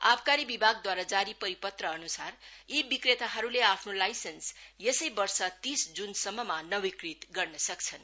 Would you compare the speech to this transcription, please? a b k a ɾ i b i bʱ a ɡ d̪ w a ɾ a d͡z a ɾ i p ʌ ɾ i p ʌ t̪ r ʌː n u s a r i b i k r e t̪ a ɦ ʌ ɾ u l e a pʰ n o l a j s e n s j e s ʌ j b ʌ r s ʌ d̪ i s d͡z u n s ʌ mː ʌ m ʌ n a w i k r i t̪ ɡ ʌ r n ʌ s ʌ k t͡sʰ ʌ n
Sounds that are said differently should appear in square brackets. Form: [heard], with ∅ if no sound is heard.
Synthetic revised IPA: a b k a ɾ i b i bʱ a ɡ d̪ w a ɾ a d͡z a ɾ i p ʌ ɾ i p ʌ t̪ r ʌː n u s a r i b i k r e t̪ a ɦ ʌ ɾ u l e a pʰ n o l a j s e n s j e s ʌ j b ʌ r s ʌ [t̪] i s d͡z u n s ʌ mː ʌ m [a] n [ʌ] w i k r i t̪ ɡ ʌ r n ʌ s ʌ k t͡sʰ ʌ n

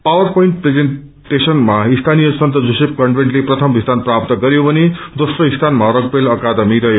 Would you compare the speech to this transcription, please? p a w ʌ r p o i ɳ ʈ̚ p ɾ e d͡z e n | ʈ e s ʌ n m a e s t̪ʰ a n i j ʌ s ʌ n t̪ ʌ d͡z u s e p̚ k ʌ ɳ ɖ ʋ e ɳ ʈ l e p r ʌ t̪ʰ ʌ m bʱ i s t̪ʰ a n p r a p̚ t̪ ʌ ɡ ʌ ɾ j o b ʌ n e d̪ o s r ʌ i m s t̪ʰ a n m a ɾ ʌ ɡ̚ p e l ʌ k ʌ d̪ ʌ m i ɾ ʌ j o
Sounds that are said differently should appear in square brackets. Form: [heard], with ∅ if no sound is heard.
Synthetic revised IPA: p a w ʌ r p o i ɳ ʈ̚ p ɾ e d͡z e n | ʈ e s ʌ n m a [i] s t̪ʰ a n i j ʌ s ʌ n t̪ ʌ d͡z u s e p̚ k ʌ ɳ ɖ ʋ e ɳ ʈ l e p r ʌ t̪ʰ ʌ m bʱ i s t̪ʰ a n p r a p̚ t̪ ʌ ɡ ʌ ɾ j o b ʌ n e d̪ o s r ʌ i [∅] s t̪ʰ a n m a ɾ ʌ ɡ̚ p e l ʌ k [a] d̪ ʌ m i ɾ ʌ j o

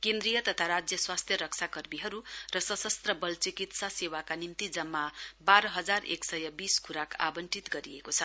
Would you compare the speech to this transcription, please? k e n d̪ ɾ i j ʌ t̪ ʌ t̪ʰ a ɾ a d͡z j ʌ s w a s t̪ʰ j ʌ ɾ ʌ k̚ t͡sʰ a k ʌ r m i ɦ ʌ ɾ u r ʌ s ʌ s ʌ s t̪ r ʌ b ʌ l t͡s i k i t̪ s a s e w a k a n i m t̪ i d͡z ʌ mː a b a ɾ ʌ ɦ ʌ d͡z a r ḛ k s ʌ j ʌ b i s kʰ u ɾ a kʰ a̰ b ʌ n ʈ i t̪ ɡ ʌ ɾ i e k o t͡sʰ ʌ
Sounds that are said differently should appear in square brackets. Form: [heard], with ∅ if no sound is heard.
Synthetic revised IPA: k e n d̪ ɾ i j ʌ t̪ ʌ t̪ʰ a ɾ a d͡z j ʌ s w a s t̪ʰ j ʌ ɾ ʌ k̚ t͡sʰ a k ʌ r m i ɦ ʌ ɾ u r ʌ s ʌ s ʌ s t̪ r ʌ b ʌ l t͡s i k i t̪ s a s e w a k a n i m t̪ i d͡z ʌ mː a b a ɾ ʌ ɦ ʌ d͡z a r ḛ k s ʌ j ʌ b i s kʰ u ɾ a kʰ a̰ b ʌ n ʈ i t̪ ɡ ʌ ɾ i e k o t͡sʰ ʌ

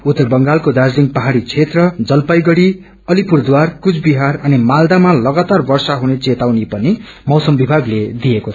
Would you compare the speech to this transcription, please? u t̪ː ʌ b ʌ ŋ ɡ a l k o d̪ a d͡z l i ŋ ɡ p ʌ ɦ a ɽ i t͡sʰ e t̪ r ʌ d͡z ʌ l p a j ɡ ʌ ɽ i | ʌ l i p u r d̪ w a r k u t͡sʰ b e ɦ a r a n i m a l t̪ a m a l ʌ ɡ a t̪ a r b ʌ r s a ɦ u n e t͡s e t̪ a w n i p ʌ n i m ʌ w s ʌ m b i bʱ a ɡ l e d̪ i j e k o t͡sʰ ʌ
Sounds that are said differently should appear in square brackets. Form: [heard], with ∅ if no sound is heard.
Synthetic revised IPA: u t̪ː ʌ b ʌ ŋ ɡ a l k o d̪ a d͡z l i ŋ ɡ p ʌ ɦ a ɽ i t͡sʰ e t̪ r ʌ d͡z ʌ l p a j ɡ ʌ ɽ i | ʌ l i p u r d̪ w a r k u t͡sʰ b [i] ɦ a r [ʌ] n i m a l [d̪] a m a l ʌ ɡ a t̪ a r b ʌ r s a ɦ u n e t͡s e t̪ a w n i p ʌ n i m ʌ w s ʌ m b i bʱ a ɡ l e d̪ i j e k o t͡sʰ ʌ

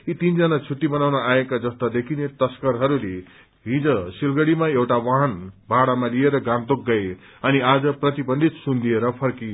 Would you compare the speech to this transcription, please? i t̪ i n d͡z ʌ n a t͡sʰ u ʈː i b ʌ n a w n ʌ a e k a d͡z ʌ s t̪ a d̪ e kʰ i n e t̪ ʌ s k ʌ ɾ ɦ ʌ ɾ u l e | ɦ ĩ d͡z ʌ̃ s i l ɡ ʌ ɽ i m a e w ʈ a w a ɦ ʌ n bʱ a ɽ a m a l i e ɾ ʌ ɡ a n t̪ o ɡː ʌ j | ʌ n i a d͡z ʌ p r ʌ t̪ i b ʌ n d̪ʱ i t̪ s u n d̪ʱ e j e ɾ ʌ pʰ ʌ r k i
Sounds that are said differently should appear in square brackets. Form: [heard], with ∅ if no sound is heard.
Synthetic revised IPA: i t̪ i n d͡z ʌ n a t͡sʰ u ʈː i b ʌ n a w n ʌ a e k a d͡z ʌ s t̪ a d̪ e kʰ i n e t̪ ʌ s k ʌ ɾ ɦ ʌ ɾ u l e | ɦ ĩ d͡z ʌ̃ s i l ɡ ʌ ɽ i m a e w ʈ a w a ɦ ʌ n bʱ a ɽ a m a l i e ɾ ʌ ɡ a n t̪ o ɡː ʌ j | ʌ n i a d͡z ʌ p r ʌ t̪ i b ʌ n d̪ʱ i t̪ s u n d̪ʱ [i] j e ɾ ʌ pʰ ʌ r k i

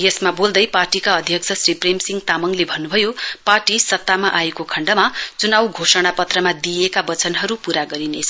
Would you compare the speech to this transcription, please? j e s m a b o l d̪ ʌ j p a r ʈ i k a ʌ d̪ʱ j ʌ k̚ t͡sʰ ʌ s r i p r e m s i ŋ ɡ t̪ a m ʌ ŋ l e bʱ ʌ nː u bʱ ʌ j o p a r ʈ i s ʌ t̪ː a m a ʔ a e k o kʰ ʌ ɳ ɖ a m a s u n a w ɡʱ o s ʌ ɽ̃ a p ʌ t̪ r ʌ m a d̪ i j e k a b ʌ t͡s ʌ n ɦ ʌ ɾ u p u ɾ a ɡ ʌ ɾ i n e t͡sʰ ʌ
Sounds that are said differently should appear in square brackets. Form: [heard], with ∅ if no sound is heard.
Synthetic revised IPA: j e s m a b o l d̪ ʌ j p a r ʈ i k a ʌ d̪ʱ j ʌ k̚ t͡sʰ ʌ s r i p r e m s i ŋ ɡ t̪ a m ʌ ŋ l e bʱ ʌ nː u bʱ ʌ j o p a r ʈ i s ʌ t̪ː a m a ʔ a e k o kʰ ʌ ɳ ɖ [ʌ] m a [t͡s] u n a w ɡʱ o s ʌ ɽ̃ a p ʌ t̪ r ʌ m a d̪ i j e k a b ʌ t͡s ʌ n ɦ ʌ ɾ u p u ɾ a ɡ ʌ ɾ i n e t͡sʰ ʌ

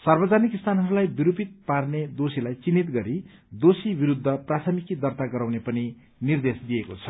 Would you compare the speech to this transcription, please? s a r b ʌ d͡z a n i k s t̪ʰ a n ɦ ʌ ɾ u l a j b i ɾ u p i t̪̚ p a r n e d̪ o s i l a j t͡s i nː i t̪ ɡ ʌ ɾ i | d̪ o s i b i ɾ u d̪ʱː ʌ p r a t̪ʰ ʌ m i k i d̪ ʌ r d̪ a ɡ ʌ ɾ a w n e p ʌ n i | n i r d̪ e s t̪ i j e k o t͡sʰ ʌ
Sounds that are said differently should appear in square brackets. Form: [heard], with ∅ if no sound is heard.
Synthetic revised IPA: s [ʌ] r b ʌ d͡z a n i k s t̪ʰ a n ɦ ʌ ɾ u l a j b i ɾ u p i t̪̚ p a r n e d̪ o s i l a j t͡s i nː i t̪ ɡ ʌ ɾ i | d̪ o s i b i ɾ u d̪ʱː ʌ p r a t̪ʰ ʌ m i k i d̪ ʌ r [t̪] a ɡ ʌ ɾ a w n e p ʌ n i | n i r d̪ e s [d̪] i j e k o t͡sʰ ʌ

